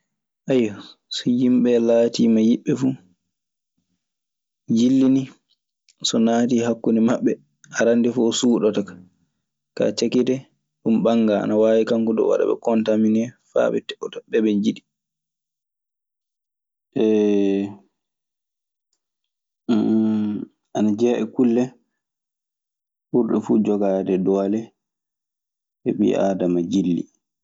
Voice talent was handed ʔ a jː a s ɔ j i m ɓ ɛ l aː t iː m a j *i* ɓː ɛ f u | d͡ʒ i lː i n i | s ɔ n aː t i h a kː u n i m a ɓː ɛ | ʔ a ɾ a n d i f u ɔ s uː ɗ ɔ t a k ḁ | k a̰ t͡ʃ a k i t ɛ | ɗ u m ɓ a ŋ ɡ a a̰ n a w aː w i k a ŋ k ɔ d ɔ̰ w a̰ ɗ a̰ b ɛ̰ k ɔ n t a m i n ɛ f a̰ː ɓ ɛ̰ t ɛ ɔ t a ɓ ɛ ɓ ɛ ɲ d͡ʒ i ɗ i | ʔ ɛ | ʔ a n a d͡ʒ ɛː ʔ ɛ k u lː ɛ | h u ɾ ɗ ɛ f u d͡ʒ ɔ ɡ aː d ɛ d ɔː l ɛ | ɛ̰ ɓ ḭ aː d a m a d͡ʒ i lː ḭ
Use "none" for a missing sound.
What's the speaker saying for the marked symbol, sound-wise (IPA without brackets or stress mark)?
i